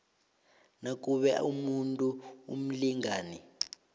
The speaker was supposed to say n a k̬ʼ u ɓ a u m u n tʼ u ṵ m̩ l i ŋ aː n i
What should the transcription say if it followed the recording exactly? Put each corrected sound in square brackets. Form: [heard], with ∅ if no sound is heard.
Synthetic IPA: n a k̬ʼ u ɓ [ɛ] u m u n tʼ u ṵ m̩ l i ŋ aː n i